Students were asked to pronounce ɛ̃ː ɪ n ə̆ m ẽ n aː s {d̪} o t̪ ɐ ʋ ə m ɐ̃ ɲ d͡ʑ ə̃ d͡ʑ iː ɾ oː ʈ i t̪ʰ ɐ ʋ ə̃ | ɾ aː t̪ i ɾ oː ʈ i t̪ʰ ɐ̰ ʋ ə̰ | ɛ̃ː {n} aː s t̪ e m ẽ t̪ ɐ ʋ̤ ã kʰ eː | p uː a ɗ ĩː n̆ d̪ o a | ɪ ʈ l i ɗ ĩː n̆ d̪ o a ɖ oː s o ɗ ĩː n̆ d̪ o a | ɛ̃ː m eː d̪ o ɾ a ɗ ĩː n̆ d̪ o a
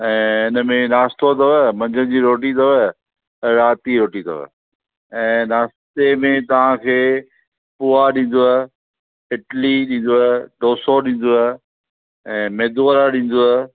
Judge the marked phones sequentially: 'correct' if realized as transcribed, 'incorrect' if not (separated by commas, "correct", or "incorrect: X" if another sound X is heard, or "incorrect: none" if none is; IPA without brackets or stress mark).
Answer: incorrect: t̪, correct